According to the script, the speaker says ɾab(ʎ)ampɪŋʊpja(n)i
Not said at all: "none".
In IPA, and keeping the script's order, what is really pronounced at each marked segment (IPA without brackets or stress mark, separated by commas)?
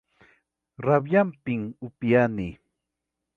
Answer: j, n